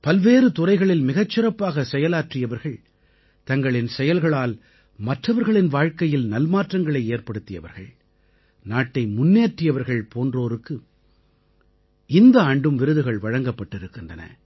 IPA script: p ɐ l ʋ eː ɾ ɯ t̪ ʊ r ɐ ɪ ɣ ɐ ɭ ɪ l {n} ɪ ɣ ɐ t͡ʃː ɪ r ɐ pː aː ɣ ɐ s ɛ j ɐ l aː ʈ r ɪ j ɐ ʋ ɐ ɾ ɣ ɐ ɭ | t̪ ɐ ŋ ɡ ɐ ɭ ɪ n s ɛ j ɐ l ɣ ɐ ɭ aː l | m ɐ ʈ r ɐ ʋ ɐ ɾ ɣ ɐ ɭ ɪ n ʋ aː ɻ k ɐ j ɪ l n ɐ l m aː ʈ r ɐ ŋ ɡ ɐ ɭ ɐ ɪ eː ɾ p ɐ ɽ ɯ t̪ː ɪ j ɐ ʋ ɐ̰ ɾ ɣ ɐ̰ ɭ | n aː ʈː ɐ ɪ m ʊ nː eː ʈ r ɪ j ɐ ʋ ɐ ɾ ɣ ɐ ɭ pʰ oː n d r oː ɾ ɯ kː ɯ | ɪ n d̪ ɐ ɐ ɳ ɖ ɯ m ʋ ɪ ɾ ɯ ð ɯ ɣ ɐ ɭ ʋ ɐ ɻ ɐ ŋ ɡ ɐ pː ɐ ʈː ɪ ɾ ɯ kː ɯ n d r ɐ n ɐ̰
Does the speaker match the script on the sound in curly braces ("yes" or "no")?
no